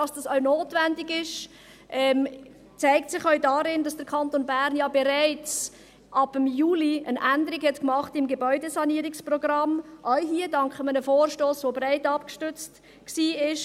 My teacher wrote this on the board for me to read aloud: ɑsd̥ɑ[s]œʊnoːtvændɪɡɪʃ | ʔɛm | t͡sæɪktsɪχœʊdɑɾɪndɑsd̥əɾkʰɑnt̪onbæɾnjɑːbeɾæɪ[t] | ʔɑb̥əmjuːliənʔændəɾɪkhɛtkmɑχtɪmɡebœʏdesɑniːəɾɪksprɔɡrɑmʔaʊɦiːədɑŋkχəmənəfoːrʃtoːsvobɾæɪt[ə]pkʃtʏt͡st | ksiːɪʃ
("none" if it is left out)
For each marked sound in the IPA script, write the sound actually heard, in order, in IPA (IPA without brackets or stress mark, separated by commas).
s, t͡s, ɑ